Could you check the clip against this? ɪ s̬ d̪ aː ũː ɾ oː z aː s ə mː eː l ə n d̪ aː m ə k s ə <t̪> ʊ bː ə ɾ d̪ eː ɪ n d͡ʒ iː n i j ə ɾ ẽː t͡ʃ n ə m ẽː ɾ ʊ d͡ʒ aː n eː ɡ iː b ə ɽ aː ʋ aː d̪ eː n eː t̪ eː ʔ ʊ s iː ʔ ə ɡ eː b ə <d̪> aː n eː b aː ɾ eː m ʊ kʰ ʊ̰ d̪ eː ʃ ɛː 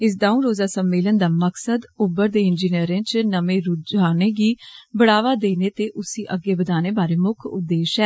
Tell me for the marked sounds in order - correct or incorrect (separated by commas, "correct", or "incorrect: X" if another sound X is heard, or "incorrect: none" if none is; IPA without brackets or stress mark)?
incorrect: d̪, correct